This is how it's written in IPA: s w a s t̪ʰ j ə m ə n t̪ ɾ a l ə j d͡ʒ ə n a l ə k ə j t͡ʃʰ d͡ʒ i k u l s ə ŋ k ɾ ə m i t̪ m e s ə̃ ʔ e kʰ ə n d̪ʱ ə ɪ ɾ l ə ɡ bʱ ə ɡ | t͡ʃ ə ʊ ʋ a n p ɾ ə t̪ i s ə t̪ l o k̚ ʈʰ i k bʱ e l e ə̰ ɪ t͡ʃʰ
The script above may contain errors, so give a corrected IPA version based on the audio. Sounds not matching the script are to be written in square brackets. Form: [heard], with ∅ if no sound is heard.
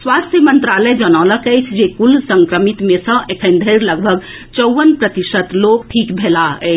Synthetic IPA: s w a s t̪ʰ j ə m ə n t̪ ɾ a l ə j d͡ʒ ə n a l ə k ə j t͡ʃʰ d͡ʒ [e] k u l s ə ŋ k ɾ ə m i t̪ m e s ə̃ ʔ e kʰ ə n d̪ʱ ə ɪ ɾ l ə ɡ bʱ ə ɡ | t͡ʃ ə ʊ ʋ [ə] n p ɾ ə t̪ i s ə t̪ l o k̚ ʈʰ i k bʱ e l [a] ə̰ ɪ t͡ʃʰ